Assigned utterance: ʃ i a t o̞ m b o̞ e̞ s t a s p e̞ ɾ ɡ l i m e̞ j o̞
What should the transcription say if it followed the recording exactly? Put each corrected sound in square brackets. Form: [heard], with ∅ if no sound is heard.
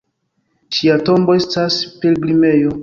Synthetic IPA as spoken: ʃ i a t o̞ m b o̞ e̞ s t a s p e̞ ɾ ɡ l i m e̞ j o̞